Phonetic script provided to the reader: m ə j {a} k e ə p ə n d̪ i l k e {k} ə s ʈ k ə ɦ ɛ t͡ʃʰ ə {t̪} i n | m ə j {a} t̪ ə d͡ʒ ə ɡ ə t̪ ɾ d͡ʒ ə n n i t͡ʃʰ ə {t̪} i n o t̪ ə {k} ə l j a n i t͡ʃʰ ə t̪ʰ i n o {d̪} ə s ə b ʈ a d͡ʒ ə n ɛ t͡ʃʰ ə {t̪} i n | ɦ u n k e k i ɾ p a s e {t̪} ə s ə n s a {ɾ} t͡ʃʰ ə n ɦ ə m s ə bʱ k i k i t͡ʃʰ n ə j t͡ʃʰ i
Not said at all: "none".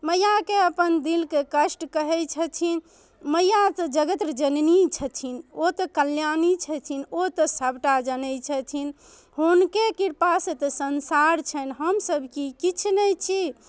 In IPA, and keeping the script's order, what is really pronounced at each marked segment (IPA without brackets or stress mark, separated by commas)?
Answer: a, k, t̪ʰ, a, t̪ʰ, k, t̪, t̪ʰ, t̪, ɾ